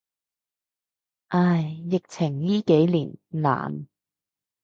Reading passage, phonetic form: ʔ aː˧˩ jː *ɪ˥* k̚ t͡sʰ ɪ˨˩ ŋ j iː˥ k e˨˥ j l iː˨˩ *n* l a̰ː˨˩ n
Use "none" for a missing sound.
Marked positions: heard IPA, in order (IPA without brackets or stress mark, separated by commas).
ɪ˨, n